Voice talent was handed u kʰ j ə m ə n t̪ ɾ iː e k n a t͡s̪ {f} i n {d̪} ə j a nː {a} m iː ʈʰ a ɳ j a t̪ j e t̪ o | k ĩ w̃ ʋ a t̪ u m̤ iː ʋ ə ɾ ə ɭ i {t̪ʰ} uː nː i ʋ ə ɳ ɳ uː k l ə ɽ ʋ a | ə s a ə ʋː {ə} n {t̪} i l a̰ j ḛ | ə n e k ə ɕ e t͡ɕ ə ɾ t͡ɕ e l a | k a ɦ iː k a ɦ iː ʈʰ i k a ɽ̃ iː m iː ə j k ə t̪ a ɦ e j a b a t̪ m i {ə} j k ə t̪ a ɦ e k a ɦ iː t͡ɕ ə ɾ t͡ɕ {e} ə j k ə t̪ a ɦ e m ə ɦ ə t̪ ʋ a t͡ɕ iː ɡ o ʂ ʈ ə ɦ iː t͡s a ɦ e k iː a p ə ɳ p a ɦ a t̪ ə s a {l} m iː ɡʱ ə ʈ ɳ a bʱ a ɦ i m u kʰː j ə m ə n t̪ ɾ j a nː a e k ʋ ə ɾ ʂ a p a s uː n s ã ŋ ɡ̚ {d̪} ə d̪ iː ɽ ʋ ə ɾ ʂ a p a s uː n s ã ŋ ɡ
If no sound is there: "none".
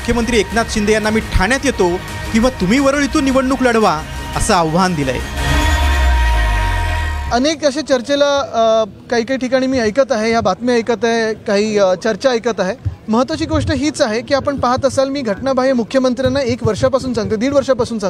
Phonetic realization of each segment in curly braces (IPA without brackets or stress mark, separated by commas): ɕ, d̪, a, t̪, a, d̪, ə, a, l, t̪